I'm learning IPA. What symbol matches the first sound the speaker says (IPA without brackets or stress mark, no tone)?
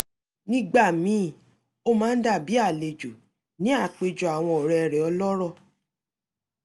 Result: n